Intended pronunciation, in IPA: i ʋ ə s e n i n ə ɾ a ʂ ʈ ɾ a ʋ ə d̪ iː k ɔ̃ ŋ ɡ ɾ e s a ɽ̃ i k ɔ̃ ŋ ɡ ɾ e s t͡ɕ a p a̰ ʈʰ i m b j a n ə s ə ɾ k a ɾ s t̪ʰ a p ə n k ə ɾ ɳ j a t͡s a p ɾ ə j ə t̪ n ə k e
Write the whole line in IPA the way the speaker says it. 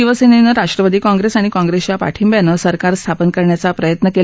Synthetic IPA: i ʋ ə s e n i n ə ɾ a ʂ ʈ ɾ ə ʋ ə d̪ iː k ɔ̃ ŋ ɡ ɾ e s a ɽ̃ i k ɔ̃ ŋ ɡ ɾ e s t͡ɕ a p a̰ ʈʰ i m b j a n ə s ə ɾ k a ɾ s t̪ʰ a p ə n k ə ɾ ɳ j a t͡s a p ɾ ə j ə t̪ n ə k e